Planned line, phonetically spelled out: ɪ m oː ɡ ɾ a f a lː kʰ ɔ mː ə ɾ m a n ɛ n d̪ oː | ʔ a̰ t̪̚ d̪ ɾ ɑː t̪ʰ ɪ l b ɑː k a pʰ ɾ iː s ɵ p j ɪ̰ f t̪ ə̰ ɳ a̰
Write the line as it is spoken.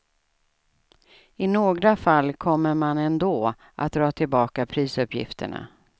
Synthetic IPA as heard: ɪ n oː ɡ ɾ a f a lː kʰ ɔ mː ə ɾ m a n ɛ n d̪ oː | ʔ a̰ t̪̚ d̪ ɾ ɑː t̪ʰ ɪ l b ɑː k a pʰ ɾ iː s ɵ p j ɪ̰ f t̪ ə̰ ɳ a̰